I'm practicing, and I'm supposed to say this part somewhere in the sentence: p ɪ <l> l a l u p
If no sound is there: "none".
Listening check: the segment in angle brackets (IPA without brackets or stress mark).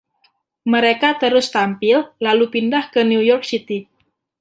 l